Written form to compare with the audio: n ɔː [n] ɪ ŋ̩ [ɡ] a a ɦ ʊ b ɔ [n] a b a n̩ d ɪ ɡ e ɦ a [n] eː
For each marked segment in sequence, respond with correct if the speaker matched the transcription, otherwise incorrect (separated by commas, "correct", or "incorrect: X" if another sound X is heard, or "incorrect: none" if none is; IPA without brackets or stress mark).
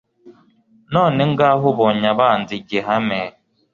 correct, correct, incorrect: ɲ, incorrect: m